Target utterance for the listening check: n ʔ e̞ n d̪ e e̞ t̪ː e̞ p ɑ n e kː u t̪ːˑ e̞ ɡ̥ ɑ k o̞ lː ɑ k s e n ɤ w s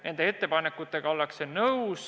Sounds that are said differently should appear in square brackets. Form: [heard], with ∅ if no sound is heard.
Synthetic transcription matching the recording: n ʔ e̞ n d̪ e e̞ t̪ː e̞ p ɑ n e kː u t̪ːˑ e̞ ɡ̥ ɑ [∅] o̞ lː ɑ k s e n ɤ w s